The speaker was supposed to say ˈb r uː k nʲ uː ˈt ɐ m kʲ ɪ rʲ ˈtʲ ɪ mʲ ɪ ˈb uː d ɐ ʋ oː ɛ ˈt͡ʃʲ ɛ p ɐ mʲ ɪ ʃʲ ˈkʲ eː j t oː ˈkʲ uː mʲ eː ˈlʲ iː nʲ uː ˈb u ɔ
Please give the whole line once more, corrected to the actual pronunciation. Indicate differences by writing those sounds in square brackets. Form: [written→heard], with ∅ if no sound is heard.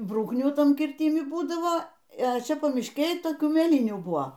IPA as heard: ˈb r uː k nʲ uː ˈt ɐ m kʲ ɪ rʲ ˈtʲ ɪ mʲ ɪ ˈb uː d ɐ ʋ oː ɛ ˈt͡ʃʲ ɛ p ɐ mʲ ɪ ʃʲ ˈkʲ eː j t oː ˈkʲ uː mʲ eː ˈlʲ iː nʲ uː ˈb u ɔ